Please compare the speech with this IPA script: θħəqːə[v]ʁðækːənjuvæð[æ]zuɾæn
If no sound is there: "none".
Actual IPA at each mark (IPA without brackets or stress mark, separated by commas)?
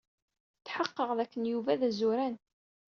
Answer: none, æ